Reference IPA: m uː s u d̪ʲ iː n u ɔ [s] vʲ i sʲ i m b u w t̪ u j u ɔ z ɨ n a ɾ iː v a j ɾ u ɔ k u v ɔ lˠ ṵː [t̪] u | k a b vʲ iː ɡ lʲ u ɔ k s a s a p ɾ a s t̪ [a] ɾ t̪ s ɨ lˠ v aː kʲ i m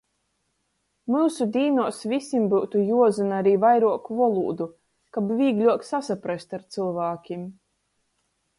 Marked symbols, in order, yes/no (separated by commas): yes, no, yes